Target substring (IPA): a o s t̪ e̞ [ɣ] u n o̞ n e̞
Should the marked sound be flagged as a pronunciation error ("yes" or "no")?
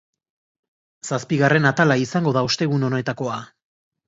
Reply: no